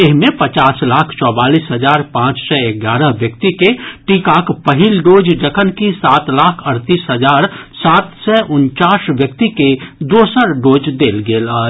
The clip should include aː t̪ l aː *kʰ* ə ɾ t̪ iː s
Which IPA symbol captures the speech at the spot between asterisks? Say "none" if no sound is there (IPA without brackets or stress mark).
kʰ